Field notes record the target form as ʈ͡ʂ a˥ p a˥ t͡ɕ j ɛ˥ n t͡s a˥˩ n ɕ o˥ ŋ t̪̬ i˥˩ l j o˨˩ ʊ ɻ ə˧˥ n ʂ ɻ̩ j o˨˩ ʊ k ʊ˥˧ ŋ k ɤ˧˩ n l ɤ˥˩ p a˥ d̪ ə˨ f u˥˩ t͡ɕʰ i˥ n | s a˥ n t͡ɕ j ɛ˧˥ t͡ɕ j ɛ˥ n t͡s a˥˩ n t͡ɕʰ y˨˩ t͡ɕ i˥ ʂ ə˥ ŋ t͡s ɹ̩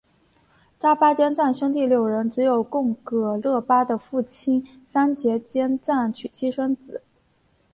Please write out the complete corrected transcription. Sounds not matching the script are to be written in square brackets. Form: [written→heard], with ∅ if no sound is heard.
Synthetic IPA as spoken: ʈ͡ʂ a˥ p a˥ t͡ɕ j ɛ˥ n t͡s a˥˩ n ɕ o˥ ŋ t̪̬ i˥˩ l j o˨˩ ʊ ɻ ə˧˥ n [ʂ→ʈ͡ʂ] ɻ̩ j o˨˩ ʊ k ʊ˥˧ ŋ k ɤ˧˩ [n→∅] l ɤ˥˩ p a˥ d̪ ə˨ f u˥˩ t͡ɕʰ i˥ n | s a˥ n t͡ɕ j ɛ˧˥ t͡ɕ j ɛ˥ n t͡s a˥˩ n t͡ɕʰ y˨˩ [t͡ɕ→t͡ɕʰ] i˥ ʂ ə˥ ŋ t͡s ɹ̩